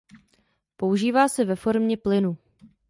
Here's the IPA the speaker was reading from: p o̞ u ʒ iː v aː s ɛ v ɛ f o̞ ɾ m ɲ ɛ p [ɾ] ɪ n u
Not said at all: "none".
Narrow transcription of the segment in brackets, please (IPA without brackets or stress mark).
l